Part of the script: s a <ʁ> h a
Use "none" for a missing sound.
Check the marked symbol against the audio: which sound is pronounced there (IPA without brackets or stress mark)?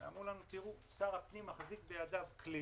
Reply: ʁ